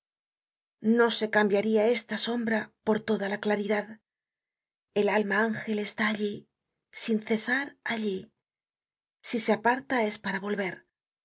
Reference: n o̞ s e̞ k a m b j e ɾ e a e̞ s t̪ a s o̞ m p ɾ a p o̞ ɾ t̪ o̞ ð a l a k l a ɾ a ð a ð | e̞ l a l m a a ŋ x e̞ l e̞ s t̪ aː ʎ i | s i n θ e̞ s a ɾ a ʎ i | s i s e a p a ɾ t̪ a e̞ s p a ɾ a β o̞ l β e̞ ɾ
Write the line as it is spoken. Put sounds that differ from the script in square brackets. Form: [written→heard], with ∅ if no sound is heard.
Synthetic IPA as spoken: n o̞ s e̞ k a m b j [e→a] ɾ [e→i] a e̞ s t̪ a s o̞ m [p→b] ɾ a p o̞ ɾ t̪ o̞ ð a l a k l a ɾ [a→i] ð a ð | e̞ l a l m a a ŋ x e̞ l e̞ s t̪ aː ʎ i | s i n θ e̞ s a ɾ a ʎ i | s i s e a p a ɾ t̪ a e̞ s p a ɾ a β o̞ l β e̞ ɾ

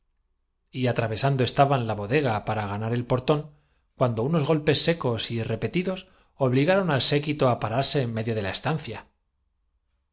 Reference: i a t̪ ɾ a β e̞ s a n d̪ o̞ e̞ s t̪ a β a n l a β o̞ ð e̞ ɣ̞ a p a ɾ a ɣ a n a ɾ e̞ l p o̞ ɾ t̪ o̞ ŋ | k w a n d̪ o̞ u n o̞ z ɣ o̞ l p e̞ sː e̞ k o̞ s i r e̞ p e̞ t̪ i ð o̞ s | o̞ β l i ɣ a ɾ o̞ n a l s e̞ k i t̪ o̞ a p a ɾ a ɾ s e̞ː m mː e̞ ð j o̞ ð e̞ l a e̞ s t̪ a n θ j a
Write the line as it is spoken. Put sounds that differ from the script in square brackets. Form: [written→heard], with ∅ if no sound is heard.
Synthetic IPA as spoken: i a t̪ ɾ a β e̞ s a n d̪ o̞ e̞ s t̪ a β a n l a β o̞ ð e̞ ɣ̞ a p a ɾ a ɣ a n a ɾ e̞ l p o̞ ɾ t̪ o̞ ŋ | k w a n d̪ o̞ u n o̞ z ɣ o̞ l p e̞ sː e̞ k o̞ s i r e̞ p e̞ t̪ i ð o̞ s | o̞ β l i ɣ a ɾ o̞ n a l s e̞ k i t̪ o̞ a p a ɾ a ɾ s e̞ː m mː e̞ ð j o̞ ð e̞ l a e̞ s t̪ a n θ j a

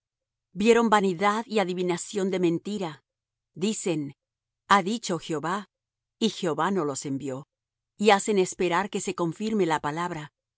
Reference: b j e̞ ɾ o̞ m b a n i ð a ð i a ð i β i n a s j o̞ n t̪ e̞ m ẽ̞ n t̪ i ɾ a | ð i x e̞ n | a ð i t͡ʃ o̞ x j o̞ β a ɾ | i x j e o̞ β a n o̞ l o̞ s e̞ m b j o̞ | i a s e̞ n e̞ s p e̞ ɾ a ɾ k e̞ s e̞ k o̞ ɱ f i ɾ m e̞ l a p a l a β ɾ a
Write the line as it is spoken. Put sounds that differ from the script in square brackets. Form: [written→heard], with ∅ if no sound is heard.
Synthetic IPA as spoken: b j e̞ ɾ o̞ m b a n i ð a ð i a ð i β i n a s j o̞ n [t̪→d̪] e̞ m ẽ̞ n t̪ i ɾ a | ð i [x→s] e̞ n | a ð i t͡ʃ o̞ x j o̞ β a [ɾ→∅] | i x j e o̞ β a n o̞ l o̞ s e̞ m b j o̞ | i a s e̞ n e̞ s p e̞ ɾ a ɾ k e̞ s e̞ k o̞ ɱ f i ɾ m e̞ l a p a l a β ɾ a

